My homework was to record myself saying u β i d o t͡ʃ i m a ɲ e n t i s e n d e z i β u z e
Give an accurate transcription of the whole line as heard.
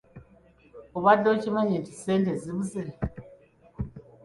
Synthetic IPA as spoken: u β a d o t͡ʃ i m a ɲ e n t i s e n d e z i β u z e